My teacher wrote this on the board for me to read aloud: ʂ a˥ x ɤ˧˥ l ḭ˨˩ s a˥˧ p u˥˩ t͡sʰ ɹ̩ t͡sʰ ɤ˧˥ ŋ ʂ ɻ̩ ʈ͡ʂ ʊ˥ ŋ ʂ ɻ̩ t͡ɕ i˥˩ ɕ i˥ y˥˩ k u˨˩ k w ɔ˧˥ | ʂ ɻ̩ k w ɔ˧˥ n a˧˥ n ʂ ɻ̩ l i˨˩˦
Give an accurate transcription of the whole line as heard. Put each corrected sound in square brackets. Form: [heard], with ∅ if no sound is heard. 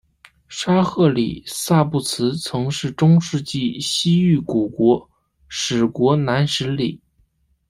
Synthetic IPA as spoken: ʂ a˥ x [ɤ˥˩] l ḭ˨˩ s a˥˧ p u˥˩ t͡sʰ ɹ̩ t͡sʰ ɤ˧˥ ŋ ʂ ɻ̩ ʈ͡ʂ ʊ˥ ŋ ʂ ɻ̩ t͡ɕ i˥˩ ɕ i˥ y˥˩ k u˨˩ k w ɔ˧˥ | ʂ ɻ̩ k w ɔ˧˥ n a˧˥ n ʂ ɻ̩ l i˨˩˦